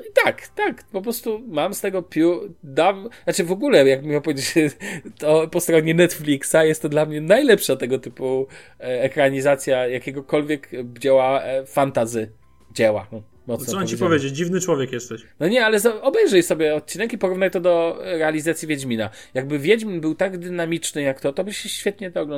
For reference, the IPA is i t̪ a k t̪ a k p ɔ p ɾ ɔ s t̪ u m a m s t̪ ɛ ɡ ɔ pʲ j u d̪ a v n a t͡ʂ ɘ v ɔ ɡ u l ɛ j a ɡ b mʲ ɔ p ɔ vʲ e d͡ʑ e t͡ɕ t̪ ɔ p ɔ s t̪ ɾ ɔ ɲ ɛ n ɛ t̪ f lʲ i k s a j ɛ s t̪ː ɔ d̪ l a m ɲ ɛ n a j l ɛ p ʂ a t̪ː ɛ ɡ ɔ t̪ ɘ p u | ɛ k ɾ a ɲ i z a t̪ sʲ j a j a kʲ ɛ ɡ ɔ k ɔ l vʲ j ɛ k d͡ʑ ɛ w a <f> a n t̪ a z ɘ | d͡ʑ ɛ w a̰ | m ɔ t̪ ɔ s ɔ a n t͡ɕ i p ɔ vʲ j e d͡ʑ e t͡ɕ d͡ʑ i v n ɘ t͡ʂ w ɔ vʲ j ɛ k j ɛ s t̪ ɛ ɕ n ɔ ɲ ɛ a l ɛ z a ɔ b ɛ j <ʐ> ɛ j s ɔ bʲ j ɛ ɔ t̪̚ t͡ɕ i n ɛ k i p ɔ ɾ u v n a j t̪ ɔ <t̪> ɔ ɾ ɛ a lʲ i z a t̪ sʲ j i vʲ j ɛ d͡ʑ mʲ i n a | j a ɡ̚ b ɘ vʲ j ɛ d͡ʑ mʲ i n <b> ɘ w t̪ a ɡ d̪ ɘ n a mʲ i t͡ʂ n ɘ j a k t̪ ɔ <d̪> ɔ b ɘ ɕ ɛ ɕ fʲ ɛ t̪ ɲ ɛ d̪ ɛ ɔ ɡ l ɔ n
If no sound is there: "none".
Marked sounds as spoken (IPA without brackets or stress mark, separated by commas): f, ʐ, d̪, b, t̪